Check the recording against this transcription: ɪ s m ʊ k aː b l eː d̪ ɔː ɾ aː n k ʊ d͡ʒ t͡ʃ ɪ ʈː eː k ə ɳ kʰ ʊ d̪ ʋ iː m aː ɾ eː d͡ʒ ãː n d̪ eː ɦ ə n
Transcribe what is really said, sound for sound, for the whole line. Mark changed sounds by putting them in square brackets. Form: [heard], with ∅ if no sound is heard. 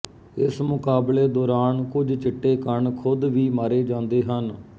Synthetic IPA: ɪ s m ʊ k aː b l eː d̪ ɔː ɾ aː n k ʊ d͡ʒ t͡ʃ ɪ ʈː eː k ə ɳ kʰ ʊ d̪ ʋ iː m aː ɾ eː d͡ʒ ãː n d̪ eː ɦ ə n